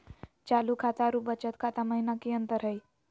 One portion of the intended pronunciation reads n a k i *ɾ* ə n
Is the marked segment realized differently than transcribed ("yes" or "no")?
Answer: yes